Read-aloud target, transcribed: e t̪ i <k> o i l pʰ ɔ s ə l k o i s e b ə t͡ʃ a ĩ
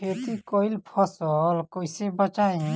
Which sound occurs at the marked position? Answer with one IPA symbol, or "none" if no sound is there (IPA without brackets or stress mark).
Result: k